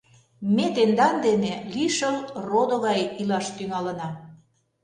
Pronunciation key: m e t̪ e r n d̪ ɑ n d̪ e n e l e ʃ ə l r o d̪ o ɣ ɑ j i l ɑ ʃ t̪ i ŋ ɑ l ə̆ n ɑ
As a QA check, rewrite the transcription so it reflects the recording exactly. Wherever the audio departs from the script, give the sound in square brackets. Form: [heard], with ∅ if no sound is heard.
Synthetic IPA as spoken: m e t̪ e [∅] n d̪ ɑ n d̪ e n e l [i] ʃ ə l r o d̪ o ɣ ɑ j i l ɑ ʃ t̪ [y] ŋ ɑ l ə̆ n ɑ

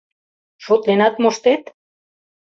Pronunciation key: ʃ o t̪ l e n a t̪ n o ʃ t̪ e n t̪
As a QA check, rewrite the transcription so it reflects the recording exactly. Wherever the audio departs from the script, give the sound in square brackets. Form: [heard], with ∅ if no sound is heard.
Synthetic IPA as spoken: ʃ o t̪ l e n a t̪ [m] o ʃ t̪ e [∅] t̪

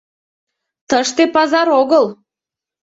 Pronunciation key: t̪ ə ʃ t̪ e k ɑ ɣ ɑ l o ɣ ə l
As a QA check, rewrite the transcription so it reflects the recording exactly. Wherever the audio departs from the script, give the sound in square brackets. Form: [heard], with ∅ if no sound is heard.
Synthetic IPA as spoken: t̪ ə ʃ t̪ e [p] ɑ [z] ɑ [ɾ] o ɣ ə l

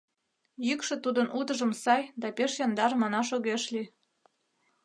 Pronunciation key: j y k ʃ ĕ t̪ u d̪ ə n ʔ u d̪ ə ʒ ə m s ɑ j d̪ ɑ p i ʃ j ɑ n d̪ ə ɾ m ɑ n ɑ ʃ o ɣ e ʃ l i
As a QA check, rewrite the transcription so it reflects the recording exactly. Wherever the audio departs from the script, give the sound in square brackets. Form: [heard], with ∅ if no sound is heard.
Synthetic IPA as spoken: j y k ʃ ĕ t̪ u d̪ ə n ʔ u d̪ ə ʒ ə m s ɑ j d̪ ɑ p [e] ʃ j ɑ n d̪ [ɑ] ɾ m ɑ n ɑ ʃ o ɣ e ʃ l i

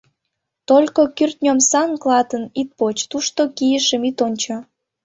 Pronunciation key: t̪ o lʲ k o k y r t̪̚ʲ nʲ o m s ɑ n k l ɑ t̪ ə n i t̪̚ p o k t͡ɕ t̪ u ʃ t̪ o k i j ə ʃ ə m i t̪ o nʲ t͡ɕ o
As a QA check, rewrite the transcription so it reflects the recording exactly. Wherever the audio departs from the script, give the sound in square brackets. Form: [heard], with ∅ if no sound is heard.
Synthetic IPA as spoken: t̪ o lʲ k o k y r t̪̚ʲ nʲ o m s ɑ n k l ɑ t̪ ə n i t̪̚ p o [∅] t͡ɕ t̪ u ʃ t̪ o k i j ə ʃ ə m i t̪ o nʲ t͡ɕ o

